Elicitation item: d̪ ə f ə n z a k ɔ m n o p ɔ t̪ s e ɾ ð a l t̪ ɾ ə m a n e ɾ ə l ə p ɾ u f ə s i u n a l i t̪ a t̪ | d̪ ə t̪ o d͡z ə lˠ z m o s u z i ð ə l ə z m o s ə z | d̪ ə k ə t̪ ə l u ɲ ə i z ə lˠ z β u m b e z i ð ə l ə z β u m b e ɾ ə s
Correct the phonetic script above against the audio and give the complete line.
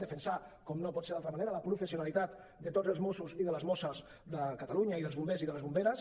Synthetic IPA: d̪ ə f ə n s a k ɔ m n o p ɔ t̪ s e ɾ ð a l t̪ ɾ ə m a n e ɾ ə l ə p ɾ u f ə s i u n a l i t̪ a t̪ | d̪ ə t̪ o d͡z ə lˠ z m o s u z i ð ə l ə z m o s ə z | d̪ ə k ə t̪ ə l u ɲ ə i ð ə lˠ z β u m b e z i ð ə l ə z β u m b e ɾ ə s

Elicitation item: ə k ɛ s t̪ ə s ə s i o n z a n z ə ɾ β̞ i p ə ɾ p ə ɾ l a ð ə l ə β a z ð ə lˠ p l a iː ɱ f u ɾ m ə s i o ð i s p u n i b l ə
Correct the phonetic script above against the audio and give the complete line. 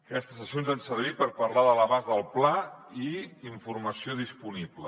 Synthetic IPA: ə k ɛ s t̪ ə s ə s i o n z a n s ə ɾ β̞ i p ə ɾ p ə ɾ l a ð ə l ə β a z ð ə lˠ p l a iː ɱ f u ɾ m ə s i o ð i s p u n i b l ə

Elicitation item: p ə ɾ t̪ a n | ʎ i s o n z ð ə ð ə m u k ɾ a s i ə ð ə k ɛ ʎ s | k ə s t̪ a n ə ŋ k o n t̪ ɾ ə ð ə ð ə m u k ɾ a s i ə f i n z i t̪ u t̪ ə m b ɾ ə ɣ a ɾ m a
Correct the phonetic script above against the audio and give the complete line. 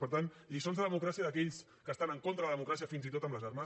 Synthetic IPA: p ə ɾ t̪ a n | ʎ i s o n z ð ə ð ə m u k ɾ a s i ə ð ə k ɛ ʎ s | k ə s t̪ a n ə ŋ k o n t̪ ɾ ə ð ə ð ə m u k ɾ a s i ə f i n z i t̪ o t̪ ə m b l ə z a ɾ m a

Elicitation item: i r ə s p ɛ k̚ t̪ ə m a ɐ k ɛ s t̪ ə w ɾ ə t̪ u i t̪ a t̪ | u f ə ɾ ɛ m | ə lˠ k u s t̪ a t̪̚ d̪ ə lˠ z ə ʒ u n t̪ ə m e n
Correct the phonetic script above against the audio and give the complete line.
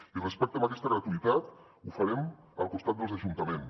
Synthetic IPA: i r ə s p ɛ k̚ t̪ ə m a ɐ k ɛ s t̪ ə ɣ ɾ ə t̪ u i t̪ a t̪ | u f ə ɾ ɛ m | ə lˠ k u s t̪ a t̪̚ d̪ ə lˠ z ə ʒ u n t̪ ə m e n

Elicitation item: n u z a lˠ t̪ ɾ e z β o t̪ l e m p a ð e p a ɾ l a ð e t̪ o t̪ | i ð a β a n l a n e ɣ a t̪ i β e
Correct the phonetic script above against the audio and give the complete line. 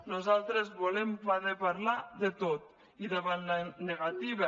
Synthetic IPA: n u z a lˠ t̪ ɾ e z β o l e m p a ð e p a ɾ l a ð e t̪ o t̪ | i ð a β a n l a n e ɣ a t̪ i β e

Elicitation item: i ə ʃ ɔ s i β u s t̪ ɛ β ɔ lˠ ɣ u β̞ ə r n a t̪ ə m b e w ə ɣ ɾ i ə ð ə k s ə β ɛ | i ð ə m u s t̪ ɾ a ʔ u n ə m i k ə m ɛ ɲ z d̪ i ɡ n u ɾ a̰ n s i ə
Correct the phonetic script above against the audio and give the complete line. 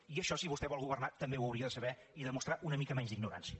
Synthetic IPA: i ə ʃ ɔ s i β u s t̪ ɛ β ɔ lˠ ɣ u β̞ ə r n a t̪ ə m b e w ə w ɾ i ə ð ə s ə β ɛ | i ð ə m u s t̪ ɾ a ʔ u n ə m i k ə m ɛ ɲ z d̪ i ɡ n u ɾ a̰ n s i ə

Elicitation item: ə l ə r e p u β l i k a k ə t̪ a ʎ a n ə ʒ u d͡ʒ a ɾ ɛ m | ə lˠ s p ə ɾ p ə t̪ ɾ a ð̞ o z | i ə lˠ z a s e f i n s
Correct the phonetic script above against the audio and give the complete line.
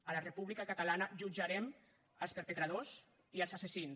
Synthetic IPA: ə l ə r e p u β l i k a k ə t̪ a l a n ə ʒ u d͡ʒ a ɾ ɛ m | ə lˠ s p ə ɾ p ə t̪ ɾ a ð̞ o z | i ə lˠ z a s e s i n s

